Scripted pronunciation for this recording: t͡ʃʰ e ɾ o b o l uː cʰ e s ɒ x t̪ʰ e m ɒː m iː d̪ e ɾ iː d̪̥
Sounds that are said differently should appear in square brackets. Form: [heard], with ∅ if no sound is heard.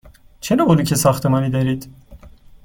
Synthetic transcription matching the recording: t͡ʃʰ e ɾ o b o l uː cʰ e s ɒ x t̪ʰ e m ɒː [n] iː d̪ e ɾ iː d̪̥